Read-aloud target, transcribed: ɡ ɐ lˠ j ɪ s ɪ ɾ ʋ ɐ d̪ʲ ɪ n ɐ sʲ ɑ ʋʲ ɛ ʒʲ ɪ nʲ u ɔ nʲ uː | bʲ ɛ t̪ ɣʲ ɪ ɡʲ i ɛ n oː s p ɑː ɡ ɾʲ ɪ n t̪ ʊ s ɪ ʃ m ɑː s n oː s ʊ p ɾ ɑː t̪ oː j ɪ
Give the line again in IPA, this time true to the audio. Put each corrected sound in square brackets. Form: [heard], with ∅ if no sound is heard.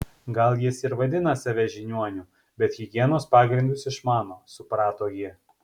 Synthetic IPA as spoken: ɡ ɐ lˠ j ɪ s ɪ ɾ ʋ ɐ d̪ʲ ɪ n ɐ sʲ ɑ ʋʲ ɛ ʒʲ ɪ nʲ u ɔ nʲ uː | bʲ ɛ t̪ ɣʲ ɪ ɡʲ i ɛ n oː s p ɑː ɡ ɾʲ ɪ n [d̪] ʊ s ɪ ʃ m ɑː [∅] n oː s ʊ p ɾ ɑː t̪ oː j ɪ